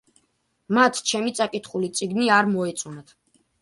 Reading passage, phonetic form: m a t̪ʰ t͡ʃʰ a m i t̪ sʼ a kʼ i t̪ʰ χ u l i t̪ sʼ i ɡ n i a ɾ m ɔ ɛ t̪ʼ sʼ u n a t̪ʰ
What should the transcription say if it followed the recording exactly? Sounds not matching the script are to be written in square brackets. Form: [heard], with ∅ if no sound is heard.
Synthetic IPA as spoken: m a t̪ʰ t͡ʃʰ [ɛ] m i t̪ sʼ a kʼ i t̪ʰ χ u l i t̪ sʼ i ɡ n i a ɾ m ɔ ɛ [t̪] sʼ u n a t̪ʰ